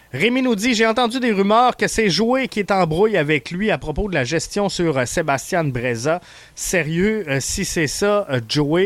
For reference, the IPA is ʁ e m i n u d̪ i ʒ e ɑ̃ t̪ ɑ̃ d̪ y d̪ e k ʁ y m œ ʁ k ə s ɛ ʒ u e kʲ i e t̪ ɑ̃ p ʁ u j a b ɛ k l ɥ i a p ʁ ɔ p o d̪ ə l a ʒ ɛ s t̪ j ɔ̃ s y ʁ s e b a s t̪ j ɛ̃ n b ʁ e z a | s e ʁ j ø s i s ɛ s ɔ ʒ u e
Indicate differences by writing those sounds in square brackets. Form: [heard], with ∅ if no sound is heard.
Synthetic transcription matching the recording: ʁ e m i n u d̪ i ʒ e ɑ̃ t̪ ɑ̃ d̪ y d̪ e [∅] ʁ y m [œː] ʁ k ə s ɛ ʒ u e kʲ i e t̪ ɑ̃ [b] ʁ u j a [v] ɛ k l ɥ i a p ʁ ɔ p o d̪ ə l a ʒ ɛ s t̪ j ɔ̃ s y ʁ s e b a s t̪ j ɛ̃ n b ʁ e z a | s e ʁ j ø s i s ɛ s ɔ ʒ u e